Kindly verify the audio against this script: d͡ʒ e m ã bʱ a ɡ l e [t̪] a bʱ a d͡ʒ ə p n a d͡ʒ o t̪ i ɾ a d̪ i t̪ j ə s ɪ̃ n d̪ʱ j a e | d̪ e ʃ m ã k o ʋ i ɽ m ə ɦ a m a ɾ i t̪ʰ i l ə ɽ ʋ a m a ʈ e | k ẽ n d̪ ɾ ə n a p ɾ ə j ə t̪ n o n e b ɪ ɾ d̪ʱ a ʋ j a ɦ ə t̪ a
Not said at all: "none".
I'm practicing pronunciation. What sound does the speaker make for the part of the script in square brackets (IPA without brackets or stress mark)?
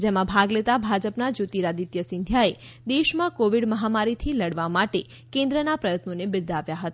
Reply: t̪